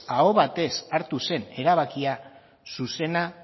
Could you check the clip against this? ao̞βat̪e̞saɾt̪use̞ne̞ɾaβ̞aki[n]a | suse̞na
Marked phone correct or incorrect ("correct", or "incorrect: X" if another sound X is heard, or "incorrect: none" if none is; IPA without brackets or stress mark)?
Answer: incorrect: none